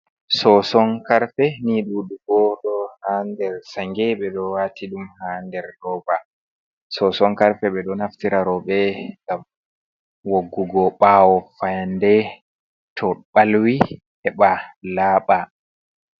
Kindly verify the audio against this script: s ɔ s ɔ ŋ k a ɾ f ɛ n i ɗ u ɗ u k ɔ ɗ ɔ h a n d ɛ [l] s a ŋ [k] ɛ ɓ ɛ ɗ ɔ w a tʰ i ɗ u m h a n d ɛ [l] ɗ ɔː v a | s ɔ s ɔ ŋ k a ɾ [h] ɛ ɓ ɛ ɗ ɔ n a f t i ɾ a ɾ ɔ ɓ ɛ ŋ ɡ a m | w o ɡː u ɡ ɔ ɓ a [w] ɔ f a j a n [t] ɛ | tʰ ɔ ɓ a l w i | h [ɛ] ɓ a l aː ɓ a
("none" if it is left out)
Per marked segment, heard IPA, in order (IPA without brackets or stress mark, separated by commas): ɾ, ɡ, ɾ, f, w, d, ɛ